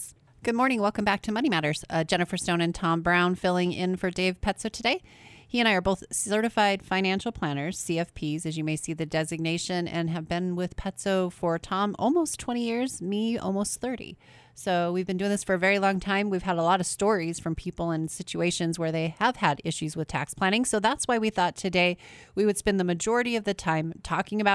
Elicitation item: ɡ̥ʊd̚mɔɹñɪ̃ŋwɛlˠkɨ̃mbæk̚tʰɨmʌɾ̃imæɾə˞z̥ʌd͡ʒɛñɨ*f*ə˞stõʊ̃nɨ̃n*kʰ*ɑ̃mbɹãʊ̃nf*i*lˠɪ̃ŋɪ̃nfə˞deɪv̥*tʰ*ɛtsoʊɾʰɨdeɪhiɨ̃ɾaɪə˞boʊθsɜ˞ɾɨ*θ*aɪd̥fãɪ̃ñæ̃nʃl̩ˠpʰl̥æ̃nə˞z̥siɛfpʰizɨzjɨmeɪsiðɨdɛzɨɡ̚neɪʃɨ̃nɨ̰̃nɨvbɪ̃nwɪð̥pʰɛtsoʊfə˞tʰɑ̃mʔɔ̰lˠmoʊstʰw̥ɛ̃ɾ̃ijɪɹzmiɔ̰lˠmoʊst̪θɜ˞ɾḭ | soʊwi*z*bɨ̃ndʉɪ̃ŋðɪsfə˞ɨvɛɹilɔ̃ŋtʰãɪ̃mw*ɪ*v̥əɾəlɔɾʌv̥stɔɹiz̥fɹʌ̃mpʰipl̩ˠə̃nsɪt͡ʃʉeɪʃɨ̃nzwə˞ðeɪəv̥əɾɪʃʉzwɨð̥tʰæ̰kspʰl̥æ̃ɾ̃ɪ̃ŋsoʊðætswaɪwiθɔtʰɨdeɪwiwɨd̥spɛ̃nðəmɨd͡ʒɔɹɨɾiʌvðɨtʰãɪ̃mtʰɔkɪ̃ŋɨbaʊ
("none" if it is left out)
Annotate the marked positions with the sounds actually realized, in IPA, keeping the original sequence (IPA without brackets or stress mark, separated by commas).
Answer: f, tʰ, ɪ, pʰ, f, v, i